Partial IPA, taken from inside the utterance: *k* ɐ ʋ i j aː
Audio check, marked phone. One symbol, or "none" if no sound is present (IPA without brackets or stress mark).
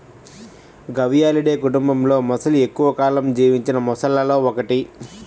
ɡ